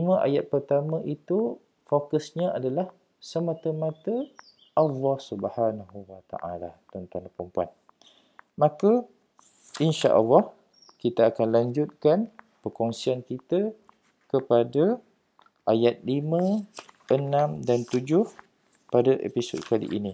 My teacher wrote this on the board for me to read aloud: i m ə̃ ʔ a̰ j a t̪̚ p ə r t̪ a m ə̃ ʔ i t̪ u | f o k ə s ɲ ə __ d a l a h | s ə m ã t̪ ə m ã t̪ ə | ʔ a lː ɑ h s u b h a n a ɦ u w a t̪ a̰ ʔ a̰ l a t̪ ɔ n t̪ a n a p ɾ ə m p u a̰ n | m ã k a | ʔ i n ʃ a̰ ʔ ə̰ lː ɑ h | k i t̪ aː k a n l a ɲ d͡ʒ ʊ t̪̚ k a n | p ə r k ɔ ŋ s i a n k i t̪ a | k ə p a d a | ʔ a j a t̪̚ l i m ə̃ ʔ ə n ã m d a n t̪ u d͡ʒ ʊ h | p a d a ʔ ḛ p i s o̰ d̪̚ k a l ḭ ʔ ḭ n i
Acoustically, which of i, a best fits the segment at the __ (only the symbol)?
a